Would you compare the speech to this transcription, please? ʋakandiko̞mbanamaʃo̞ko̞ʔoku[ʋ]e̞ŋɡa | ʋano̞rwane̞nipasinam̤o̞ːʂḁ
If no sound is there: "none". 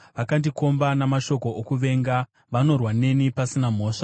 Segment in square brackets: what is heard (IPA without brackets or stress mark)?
ʋ